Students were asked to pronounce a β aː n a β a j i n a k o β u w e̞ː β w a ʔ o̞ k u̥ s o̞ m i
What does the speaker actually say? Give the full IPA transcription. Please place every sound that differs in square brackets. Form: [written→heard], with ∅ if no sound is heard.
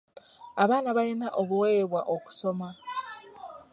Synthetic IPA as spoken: a β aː n a β a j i n a [k→ʔ] o β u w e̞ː β w a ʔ o̞ k u̥ s o̞ m [i→a]

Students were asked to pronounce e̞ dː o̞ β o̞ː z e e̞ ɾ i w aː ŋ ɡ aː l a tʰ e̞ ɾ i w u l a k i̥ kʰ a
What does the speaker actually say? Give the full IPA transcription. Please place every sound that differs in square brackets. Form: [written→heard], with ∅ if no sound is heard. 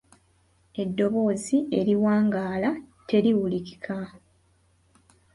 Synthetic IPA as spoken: e̞ dː o̞ β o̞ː z [e→i] e̞ ɾ i w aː ŋ ɡ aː l a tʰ e̞ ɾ i w u l [a→i] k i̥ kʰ a

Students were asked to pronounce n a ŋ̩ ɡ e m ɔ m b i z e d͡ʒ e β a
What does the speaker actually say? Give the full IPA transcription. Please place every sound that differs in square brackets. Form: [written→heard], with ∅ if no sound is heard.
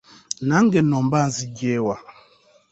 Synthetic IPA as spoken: n a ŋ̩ ɡ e [m→n] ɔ m b [i→a] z [e→i] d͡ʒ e [β→w] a

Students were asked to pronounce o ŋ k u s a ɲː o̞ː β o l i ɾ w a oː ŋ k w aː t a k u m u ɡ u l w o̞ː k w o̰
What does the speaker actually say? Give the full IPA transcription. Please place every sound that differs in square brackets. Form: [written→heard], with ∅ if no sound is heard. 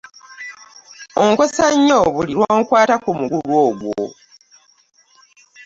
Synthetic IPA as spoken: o ŋ k [u→o] s a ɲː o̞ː β [o→u] l i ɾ w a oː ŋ k w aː t a k u m u ɡ u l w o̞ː [k→ɡ] w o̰

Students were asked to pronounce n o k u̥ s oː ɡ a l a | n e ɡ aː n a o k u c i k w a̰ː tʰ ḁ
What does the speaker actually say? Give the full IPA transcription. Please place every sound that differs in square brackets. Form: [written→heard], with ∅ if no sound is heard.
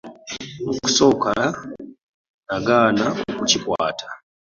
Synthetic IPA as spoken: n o k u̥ s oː [ɡ→k] a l a | n [e→a] ɡ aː n a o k u c i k w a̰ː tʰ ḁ

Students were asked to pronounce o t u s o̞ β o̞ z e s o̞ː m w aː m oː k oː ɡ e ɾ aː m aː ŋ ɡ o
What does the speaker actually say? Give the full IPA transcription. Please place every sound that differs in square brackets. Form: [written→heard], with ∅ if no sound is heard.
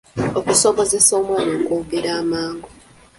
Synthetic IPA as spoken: o [t→k] u s o̞ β o̞ z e s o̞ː m w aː [m→n] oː k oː ɡ e ɾ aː m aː ŋ ɡ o

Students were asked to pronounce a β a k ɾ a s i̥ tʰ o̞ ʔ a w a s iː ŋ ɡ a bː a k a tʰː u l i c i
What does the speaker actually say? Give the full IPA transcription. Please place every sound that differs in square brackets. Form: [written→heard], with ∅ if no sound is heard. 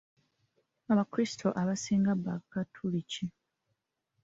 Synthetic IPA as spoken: a β a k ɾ [a→i] s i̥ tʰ o̞ ʔ a [w→β] a s iː ŋ ɡ a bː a k a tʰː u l i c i

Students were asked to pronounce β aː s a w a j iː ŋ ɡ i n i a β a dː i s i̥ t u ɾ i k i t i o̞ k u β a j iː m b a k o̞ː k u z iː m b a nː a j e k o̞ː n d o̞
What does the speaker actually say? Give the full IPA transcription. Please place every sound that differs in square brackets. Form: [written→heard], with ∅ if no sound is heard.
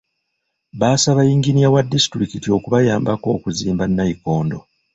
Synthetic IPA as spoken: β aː s a [w→β] a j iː ŋ ɡ i n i a [β→w] a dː i s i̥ t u ɾ i k i t i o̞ k u β a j [iː→aː] m b a k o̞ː k u z iː m b a nː a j [e→i] k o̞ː n d o̞

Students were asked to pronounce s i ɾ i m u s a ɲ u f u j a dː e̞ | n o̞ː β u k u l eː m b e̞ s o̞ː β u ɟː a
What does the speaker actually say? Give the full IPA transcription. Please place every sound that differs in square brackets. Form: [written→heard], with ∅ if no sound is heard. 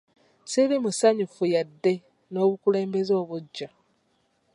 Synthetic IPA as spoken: s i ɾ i m u s a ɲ u f u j a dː e̞ | n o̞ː β u k u l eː m b e̞ [s→z] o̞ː β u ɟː a

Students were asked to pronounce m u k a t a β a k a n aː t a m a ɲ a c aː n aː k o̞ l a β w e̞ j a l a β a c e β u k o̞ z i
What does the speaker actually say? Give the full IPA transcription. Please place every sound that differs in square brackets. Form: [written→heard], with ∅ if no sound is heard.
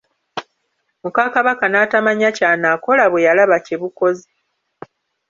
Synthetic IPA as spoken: m u k a [t→k] a β a k a n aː t a m a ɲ a c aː n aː k o̞ l a β w e̞ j a l a β a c e β u k o̞ z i

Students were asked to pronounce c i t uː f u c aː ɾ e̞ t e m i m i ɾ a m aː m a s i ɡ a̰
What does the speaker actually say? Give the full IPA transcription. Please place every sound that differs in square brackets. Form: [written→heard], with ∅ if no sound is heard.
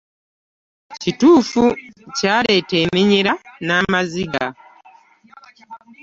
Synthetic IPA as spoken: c i t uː f u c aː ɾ e̞ t e m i [m→ɲ] i ɾ a [m→n] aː m a [s→z] i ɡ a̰

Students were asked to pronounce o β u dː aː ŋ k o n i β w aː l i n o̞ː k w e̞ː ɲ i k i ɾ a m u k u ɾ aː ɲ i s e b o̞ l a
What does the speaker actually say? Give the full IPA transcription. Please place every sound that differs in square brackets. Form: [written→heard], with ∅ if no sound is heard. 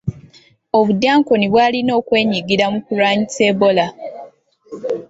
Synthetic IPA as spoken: o β u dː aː ŋ k o n i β w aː l i n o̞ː k w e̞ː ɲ i [k→ɡ] i ɾ a m u k u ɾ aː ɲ i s e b o̞ l a

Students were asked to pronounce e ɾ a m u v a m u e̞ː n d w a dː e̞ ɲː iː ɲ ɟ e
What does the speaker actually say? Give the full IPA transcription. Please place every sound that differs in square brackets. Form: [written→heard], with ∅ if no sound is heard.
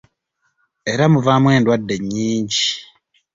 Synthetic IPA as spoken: e ɾ a m u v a m [u→w] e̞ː n d w a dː e̞ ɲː iː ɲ ɟ [e→i]

